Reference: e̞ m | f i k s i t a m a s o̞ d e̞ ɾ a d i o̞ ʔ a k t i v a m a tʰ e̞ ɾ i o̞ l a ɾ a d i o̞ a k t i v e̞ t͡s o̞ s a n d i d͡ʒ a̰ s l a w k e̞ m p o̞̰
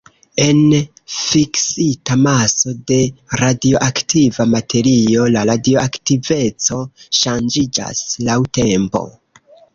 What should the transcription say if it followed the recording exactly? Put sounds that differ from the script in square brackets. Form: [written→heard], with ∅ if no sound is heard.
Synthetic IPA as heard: e̞ [m→n] | f i k s i t a m a s o̞ d e̞ ɾ a d i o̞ ʔ a k t i v a m a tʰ e̞ ɾ i o̞ l a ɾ a d i o̞ a k t i v e̞ t͡s o̞ [s→ʃ] a n [d→d͡ʒ] i d͡ʒ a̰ s l a w [k→t] e̞ m p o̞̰

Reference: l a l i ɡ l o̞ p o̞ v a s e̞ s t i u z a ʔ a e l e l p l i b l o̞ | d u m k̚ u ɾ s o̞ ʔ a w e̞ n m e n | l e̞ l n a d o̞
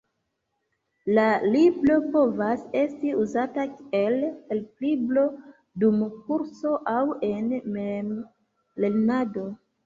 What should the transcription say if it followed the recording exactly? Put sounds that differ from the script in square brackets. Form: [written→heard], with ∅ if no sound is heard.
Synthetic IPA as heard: l a l i [ɡ→b] l o̞ p o̞ v a s e̞ s t i u z a [ʔ→t] a e l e l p l i b l o̞ | d u m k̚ u ɾ s o̞ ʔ a w e̞ n m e [n→m] | l e̞ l n a d o̞

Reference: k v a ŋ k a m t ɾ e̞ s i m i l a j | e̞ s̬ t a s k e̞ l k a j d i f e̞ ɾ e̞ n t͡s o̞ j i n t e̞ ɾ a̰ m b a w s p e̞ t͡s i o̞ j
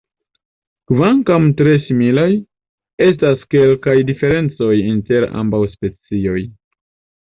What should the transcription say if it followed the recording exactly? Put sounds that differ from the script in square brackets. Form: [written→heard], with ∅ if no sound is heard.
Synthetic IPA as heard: k v a ŋ k a m t ɾ e̞ s i m i l a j | e̞ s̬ t a s k e̞ l k a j d i f e̞ ɾ e̞ n t͡s o̞ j i n t e̞ ɾ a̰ m b a w s p e̞ t͡s i o̞ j

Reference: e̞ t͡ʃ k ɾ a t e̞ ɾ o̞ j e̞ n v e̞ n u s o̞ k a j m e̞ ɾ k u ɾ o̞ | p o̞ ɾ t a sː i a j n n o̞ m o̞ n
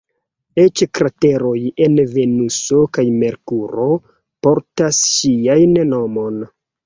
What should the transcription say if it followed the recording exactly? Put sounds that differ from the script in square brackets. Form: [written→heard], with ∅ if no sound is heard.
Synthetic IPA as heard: e̞ t͡ʃ k ɾ a t e̞ ɾ o̞ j e̞ n v e̞ n u s o̞ k a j m e̞ ɾ k u ɾ o̞ | p o̞ ɾ t a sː i a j n n o̞ m o̞ n

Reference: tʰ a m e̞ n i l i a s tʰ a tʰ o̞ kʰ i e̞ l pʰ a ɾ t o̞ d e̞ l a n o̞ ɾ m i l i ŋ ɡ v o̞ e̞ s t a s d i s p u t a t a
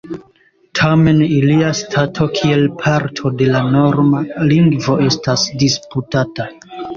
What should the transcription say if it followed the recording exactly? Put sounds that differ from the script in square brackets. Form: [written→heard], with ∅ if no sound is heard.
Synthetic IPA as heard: tʰ a m e̞ n i l i a s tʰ a tʰ o̞ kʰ i e̞ l pʰ a ɾ [t→tʰ] o̞ d e̞ l a n o̞ ɾ m [i→a] l i ŋ ɡ v o̞ e̞ s t a s d i s p u t a t a

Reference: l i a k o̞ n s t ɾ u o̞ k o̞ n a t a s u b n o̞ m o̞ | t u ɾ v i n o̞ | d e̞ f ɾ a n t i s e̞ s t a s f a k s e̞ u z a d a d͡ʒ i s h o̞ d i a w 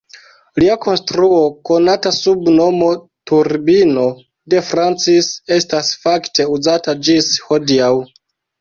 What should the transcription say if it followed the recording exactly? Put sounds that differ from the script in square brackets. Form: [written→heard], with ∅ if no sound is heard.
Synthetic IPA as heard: l i a k o̞ n s t ɾ u o̞ k o̞ n a t a s u b n o̞ m o̞ | t u ɾ [v→b] i n o̞ | d e̞ f ɾ a n [t→t͡s] i s e̞ s t a s f a k [s→t] e̞ u z a [d→t] a d͡ʒ i s h o̞ d i a w

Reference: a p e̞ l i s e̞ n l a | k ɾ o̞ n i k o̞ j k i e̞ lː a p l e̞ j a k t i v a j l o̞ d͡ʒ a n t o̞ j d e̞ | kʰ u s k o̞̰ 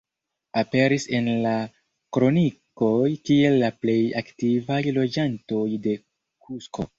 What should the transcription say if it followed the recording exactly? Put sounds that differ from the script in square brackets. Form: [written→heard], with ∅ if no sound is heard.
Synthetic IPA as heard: a p e̞ [l→ɾ] i s e̞ n l a | k ɾ o̞ n i k o̞ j k i e̞ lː a p l e̞ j a k t i v a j l o̞ d͡ʒ a n t o̞ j d e̞ | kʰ u s k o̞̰

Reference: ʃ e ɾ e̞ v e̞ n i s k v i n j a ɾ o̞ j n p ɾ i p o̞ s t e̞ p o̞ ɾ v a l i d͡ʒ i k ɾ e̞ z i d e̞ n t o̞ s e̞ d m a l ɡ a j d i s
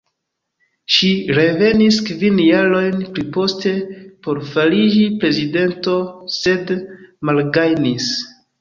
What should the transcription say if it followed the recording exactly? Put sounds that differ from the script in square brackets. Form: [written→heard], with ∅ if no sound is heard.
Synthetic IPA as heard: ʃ [e→i] ɾ e̞ v e̞ n i s k v i n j a ɾ o̞ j n p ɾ i p o̞ s t e̞ p o̞ ɾ [v→f] a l i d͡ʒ i [k→p] ɾ e̞ z i d e̞ n t o̞ s e̞ d m a l ɡ a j [d→n] i s

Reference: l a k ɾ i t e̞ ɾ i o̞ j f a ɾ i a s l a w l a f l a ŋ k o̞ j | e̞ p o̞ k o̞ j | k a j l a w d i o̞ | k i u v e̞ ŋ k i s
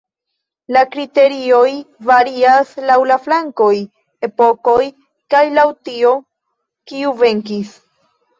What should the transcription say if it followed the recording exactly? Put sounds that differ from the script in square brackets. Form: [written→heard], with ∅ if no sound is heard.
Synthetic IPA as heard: l a k ɾ i t e̞ ɾ i o̞ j [f→v] a ɾ i a s l a w l a f l a ŋ k o̞ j | e̞ p o̞ k o̞ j | k a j l a w [d→t] i o̞ | k i u v e̞ ŋ k i s

